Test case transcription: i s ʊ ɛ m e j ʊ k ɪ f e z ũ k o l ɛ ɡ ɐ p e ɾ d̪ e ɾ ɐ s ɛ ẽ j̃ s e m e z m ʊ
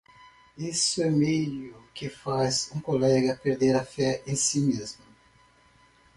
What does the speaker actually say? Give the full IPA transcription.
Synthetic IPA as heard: i s ʊ ɛ m e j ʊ k ɪ f a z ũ k o l ɛ ɡ ɐ p e ɾ d̪ e ɾ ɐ f ɛ ẽ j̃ s i m e z m ʊ